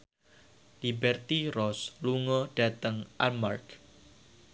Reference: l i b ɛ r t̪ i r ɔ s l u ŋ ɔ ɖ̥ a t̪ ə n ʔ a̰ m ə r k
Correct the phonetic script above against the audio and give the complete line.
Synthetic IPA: l i b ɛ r t̪ i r ɔ s l u ŋ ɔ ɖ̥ a t̪ ə ŋ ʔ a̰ m a r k